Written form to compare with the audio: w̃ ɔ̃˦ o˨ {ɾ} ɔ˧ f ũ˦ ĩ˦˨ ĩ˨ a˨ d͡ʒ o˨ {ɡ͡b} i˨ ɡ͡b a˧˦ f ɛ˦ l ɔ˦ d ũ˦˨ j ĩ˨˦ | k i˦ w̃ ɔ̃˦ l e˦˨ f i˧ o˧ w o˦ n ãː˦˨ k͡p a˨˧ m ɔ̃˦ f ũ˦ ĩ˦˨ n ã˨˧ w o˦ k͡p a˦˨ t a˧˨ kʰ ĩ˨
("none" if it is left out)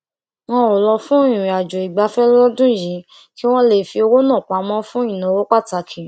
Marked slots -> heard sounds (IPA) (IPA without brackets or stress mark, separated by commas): l, none